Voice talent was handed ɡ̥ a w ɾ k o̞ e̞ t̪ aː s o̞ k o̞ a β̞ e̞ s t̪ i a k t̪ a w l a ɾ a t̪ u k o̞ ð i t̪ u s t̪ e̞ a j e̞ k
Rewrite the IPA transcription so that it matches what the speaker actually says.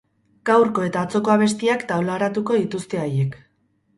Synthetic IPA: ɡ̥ a w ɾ k o̞ e̞ t̪ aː t͡s o̞ k o̞ a β̞ e̞ s t̪ i a k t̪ a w l a ɾ a t̪ u k o̞ ð i t̪ u s t̪ e̞ a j e̞ k